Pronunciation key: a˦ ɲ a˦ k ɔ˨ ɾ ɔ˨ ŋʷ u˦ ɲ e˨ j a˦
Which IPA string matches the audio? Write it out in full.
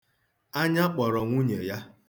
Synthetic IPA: a˦ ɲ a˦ k͡p ɔ˨ ɾ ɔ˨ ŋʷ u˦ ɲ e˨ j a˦